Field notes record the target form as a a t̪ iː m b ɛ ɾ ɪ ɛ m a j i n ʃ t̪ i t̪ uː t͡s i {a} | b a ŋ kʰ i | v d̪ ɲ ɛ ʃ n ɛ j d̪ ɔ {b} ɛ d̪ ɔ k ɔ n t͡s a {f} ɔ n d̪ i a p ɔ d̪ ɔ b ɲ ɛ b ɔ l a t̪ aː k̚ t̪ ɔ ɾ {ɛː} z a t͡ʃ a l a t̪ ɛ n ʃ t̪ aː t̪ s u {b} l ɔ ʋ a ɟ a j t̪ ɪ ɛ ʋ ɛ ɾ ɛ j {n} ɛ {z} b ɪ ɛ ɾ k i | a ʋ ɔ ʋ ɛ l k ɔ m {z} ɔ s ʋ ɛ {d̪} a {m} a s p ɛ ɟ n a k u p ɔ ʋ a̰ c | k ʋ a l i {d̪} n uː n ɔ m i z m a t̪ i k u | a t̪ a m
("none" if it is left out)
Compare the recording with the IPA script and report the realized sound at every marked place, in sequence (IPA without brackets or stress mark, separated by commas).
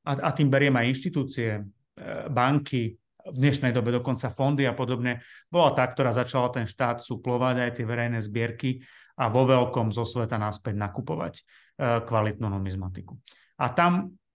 ɛ, b, f, aː, p, n, z, z, t̪, n, t̪